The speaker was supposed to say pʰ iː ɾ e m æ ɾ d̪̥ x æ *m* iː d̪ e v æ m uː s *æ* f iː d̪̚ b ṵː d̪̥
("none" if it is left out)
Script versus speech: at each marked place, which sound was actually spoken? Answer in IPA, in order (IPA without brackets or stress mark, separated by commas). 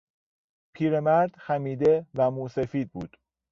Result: m, e